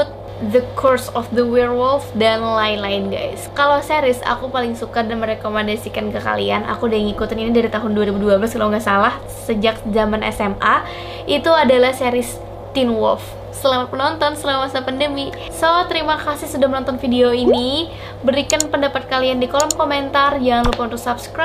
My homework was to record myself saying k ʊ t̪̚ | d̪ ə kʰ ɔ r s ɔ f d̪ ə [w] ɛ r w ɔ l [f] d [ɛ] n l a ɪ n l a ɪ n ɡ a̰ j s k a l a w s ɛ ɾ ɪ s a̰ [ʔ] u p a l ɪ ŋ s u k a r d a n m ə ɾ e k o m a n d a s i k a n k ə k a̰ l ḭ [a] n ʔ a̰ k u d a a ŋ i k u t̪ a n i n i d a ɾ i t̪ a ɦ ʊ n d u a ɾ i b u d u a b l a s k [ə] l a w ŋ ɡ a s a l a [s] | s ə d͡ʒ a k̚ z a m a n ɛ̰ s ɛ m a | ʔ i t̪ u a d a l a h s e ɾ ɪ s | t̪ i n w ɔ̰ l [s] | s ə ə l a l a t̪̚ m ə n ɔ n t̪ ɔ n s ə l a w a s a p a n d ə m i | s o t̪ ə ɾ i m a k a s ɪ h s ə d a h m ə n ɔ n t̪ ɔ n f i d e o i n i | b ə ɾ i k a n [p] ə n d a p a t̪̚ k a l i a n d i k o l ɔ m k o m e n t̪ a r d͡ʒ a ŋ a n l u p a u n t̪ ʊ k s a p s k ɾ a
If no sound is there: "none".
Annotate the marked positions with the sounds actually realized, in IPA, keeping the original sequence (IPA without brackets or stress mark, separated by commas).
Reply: w, f, a, k, a, a, h, f, p